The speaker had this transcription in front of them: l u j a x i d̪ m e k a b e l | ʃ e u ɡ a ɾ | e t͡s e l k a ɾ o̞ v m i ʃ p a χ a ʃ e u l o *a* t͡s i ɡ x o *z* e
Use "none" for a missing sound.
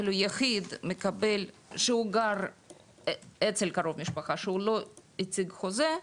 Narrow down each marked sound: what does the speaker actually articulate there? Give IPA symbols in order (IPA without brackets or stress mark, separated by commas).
i, z